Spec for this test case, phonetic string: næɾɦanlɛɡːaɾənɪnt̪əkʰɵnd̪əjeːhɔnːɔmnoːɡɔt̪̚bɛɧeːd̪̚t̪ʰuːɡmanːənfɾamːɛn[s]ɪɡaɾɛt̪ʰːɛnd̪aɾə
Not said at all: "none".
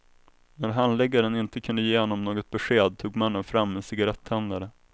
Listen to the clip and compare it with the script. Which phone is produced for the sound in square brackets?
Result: s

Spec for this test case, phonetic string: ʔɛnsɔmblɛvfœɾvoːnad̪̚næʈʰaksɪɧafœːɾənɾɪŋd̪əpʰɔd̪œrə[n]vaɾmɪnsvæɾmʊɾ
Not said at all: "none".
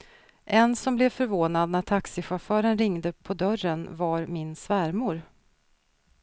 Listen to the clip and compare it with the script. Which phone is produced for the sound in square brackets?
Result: n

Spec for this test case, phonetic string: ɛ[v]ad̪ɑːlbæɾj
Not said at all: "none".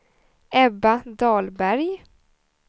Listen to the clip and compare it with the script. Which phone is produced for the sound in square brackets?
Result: b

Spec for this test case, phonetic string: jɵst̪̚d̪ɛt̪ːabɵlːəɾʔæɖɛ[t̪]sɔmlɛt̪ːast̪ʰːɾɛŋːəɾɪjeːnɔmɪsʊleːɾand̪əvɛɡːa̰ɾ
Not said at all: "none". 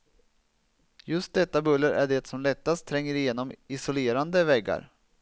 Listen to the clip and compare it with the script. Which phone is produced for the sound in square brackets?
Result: t̪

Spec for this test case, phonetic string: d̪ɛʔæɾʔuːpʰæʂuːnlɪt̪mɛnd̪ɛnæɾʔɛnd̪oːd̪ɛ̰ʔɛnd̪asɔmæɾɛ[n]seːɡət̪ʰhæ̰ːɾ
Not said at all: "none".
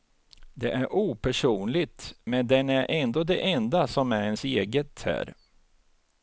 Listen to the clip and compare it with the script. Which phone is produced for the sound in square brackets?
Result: n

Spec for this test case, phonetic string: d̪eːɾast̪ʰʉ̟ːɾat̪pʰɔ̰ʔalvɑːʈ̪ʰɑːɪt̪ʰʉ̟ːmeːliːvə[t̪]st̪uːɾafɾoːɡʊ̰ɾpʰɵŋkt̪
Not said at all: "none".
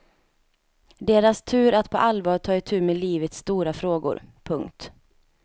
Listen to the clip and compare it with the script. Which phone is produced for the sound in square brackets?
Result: t̪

